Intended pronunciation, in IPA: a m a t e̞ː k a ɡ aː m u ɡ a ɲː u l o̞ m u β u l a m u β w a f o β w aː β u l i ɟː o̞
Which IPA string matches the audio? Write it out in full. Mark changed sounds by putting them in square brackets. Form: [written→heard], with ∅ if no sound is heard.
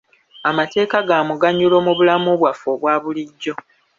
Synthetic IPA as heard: a m a t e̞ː k a ɡ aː m u ɡ a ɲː u l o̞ m u β u l a m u β w a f o β w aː β u l i ɟː o̞